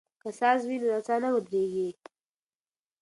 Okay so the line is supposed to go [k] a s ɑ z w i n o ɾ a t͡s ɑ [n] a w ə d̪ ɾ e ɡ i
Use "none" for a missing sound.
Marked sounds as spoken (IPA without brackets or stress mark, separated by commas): k, n